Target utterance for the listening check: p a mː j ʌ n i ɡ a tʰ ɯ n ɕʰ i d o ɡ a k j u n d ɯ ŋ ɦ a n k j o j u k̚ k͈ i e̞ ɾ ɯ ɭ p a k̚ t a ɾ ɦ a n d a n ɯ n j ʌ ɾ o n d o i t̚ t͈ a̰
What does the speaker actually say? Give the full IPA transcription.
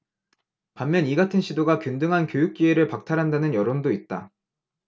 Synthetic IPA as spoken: p a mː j ʌ n i ɡ a tʰ ɯ n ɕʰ i d o ɡ a k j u n d ɯ ŋ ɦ a n k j o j u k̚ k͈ i e̞ ɾ ɯ ɭ p a k̚ tʰ a ɾ ɦ a n d a n ɯ n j ʌ ɾ o n d o i t̚ t͈ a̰